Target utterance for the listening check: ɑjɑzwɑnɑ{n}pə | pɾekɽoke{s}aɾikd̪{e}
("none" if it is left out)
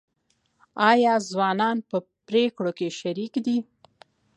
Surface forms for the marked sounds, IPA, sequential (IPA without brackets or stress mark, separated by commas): n, ʃ, i